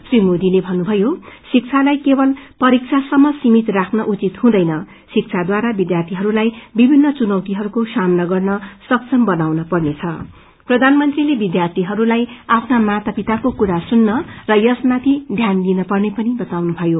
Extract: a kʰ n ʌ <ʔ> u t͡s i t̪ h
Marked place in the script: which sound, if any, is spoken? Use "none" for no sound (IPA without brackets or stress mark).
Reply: ʔ